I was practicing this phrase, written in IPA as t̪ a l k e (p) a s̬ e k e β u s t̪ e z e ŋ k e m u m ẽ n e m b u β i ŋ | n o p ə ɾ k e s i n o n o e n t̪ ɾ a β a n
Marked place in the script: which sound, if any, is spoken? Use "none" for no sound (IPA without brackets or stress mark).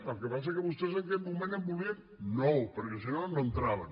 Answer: p